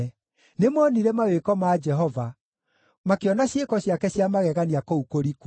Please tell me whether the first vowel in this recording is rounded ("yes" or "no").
no